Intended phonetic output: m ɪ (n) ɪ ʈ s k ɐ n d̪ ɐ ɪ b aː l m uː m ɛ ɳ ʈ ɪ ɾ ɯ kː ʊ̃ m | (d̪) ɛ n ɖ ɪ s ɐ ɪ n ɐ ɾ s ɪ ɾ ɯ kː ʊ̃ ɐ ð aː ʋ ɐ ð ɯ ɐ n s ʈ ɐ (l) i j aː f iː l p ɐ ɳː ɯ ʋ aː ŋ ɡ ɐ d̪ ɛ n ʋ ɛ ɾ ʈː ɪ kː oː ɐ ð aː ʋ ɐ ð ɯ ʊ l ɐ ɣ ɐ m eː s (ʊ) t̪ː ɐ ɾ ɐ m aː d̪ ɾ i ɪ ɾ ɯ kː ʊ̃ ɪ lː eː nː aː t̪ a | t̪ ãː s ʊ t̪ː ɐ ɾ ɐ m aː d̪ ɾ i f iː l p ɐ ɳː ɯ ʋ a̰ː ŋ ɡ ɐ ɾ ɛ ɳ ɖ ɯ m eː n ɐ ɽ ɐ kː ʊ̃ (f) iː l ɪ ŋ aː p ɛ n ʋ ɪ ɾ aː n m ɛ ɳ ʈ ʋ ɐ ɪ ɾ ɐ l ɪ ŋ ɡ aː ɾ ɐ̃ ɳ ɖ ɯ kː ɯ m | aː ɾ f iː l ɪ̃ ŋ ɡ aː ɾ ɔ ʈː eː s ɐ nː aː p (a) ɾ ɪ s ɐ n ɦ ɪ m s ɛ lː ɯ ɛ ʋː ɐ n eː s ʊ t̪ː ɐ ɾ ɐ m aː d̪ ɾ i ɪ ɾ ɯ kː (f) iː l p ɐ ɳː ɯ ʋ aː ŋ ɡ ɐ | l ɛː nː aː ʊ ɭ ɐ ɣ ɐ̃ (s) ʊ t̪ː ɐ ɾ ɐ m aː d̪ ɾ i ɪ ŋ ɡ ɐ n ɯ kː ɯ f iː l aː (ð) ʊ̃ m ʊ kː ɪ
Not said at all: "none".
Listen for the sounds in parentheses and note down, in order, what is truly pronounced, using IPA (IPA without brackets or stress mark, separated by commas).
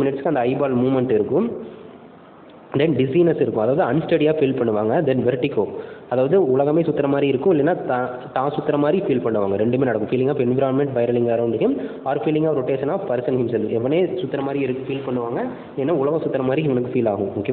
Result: n, d̪, ɽ, ʊ, f, ɐ, f, s, ɣ